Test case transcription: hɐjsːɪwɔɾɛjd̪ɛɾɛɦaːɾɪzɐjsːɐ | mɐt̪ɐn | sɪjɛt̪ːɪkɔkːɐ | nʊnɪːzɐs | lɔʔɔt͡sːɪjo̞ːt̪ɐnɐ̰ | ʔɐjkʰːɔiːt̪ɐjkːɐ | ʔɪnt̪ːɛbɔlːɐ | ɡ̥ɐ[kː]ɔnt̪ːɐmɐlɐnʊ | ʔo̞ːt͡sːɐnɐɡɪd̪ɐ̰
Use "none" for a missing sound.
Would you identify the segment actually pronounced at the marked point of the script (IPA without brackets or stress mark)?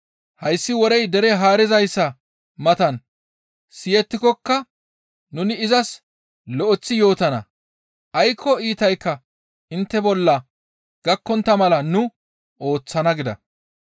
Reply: kː